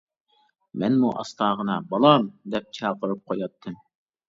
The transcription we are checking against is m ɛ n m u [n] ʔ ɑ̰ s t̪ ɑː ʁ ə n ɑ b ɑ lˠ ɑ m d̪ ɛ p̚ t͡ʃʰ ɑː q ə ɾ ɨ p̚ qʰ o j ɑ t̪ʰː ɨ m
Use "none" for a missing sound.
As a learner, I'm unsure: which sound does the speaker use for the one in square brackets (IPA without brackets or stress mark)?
none